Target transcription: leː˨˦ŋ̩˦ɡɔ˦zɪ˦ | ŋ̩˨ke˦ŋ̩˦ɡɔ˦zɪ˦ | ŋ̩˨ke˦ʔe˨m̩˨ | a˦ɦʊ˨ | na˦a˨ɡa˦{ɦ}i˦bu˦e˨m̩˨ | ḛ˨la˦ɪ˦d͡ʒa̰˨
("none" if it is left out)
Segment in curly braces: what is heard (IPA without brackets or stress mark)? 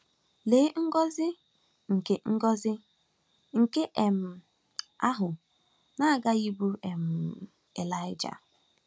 none